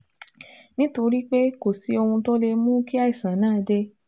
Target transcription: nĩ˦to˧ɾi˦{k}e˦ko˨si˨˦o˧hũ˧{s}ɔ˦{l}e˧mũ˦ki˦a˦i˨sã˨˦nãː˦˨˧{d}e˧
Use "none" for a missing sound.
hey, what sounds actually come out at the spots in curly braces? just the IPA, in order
k͡p, t, l, d

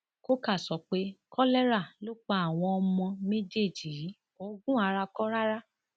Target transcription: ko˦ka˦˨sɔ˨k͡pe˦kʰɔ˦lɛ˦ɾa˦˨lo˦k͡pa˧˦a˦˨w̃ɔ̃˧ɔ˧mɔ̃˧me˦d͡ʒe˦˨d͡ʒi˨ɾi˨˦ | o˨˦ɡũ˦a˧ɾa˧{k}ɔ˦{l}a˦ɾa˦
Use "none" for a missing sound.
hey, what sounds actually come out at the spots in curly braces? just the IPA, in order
k, ɾ

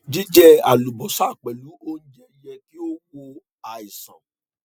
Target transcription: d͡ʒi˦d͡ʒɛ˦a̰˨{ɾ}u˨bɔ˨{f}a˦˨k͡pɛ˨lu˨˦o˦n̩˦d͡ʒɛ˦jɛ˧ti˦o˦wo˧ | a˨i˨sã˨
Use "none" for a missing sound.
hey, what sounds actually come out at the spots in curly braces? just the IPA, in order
l, s

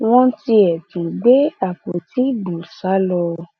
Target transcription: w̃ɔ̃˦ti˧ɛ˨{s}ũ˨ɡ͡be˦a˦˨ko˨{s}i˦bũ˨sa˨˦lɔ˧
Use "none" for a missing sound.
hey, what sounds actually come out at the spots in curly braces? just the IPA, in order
t, t

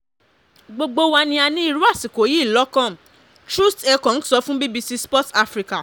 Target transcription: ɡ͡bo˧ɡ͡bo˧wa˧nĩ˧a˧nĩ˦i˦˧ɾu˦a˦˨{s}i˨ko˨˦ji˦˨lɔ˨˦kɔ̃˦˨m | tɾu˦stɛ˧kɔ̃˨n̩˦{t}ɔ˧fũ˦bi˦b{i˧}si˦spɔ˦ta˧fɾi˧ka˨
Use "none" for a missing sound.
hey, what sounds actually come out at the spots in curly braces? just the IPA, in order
s, s, i˧

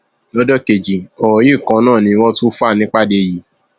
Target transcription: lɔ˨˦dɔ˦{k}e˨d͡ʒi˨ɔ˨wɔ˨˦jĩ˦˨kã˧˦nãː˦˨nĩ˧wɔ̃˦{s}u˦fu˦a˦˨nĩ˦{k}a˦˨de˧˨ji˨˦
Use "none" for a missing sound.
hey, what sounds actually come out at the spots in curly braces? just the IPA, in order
k, t, k͡p

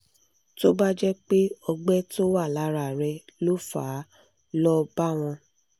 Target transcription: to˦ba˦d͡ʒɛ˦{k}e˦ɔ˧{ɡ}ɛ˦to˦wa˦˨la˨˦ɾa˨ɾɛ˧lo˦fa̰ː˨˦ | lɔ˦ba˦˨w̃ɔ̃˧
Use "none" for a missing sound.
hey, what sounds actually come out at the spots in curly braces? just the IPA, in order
k͡p, ɡ͡b

